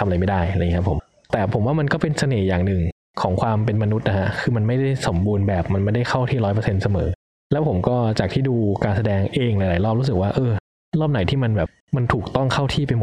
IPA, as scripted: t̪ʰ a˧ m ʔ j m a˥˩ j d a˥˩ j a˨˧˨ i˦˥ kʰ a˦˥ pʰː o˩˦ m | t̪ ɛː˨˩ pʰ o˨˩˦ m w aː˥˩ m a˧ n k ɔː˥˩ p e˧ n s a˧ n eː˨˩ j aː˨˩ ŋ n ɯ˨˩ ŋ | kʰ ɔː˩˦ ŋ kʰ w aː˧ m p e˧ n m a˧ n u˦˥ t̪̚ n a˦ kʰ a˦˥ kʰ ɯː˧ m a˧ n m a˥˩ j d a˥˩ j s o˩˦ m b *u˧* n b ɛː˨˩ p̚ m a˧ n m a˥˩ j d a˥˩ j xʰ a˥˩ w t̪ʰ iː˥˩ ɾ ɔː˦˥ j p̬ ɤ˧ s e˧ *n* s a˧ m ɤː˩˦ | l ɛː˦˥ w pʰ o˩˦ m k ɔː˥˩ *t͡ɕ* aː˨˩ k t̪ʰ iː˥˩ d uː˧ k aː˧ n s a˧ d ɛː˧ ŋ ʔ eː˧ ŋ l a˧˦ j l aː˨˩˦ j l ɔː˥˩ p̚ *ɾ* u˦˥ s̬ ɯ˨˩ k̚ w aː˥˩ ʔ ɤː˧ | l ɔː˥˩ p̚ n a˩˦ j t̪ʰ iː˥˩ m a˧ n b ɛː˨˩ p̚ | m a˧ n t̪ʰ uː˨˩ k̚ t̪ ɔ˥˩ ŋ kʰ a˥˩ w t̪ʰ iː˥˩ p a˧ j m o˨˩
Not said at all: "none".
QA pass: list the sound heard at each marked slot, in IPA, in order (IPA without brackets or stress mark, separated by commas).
uː˧, n, t͡ɕ, ɾ